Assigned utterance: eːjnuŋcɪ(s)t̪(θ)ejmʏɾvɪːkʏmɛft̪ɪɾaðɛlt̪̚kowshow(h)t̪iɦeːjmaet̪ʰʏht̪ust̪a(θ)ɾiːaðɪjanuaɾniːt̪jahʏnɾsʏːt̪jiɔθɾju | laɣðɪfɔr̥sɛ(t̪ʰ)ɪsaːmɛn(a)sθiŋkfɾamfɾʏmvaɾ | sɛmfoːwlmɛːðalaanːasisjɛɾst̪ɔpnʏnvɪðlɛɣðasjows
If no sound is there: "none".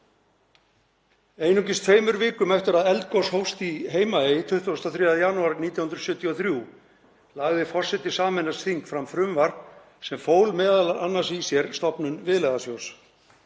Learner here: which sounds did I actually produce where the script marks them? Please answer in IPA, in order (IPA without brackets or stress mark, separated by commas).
s, f, s, θ, t̪, a